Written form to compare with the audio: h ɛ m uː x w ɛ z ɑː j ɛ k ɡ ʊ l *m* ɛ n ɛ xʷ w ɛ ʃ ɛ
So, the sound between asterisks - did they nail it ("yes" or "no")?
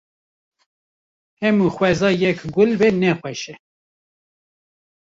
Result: no